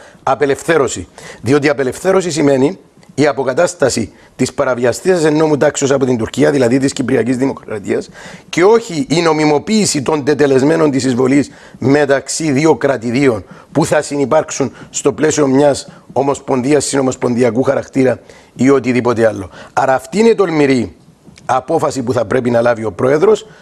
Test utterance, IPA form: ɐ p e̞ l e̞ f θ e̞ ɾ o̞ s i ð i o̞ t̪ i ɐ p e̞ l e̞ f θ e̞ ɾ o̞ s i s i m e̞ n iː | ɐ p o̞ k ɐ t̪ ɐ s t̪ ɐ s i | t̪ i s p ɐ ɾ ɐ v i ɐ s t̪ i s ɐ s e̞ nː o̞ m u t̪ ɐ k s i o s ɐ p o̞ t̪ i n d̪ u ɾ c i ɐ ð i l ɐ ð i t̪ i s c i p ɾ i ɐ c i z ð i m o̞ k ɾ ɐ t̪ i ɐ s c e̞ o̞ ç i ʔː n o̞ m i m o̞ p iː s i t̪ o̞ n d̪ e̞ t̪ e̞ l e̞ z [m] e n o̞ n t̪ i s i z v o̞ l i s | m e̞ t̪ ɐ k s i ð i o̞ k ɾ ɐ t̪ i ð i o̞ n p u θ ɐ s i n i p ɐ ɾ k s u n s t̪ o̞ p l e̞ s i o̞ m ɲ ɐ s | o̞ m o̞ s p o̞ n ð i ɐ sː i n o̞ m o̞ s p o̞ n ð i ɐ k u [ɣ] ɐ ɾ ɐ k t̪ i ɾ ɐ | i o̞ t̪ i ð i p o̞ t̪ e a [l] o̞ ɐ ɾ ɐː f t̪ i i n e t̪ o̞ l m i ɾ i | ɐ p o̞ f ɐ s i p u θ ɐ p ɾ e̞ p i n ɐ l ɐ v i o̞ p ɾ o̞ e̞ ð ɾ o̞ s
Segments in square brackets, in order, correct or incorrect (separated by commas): correct, incorrect, incorrect